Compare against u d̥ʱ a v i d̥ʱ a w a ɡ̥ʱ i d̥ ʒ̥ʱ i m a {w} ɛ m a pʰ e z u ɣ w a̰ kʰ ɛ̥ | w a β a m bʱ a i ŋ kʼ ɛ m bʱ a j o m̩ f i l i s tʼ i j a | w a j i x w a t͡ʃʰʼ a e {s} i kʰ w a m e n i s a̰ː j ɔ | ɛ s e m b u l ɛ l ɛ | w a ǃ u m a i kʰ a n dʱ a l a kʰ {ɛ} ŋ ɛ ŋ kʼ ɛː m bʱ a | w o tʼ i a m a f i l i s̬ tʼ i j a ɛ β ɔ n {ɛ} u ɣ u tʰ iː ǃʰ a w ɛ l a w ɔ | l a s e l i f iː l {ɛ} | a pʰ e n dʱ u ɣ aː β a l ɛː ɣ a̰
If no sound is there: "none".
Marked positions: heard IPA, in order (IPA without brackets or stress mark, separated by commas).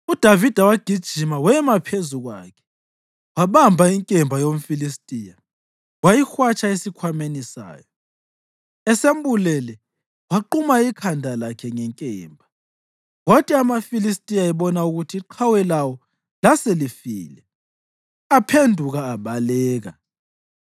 w, s, ɛ, a, ɛ